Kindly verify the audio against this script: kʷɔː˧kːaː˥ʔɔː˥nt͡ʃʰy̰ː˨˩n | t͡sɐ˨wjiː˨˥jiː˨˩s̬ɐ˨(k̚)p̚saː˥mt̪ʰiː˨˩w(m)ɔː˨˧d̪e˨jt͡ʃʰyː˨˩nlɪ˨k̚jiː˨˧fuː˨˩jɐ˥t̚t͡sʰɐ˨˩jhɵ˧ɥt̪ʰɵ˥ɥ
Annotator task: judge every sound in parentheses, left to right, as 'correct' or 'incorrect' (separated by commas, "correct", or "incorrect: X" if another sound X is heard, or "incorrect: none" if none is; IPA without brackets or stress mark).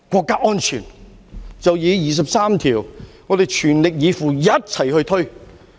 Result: incorrect: none, incorrect: ŋ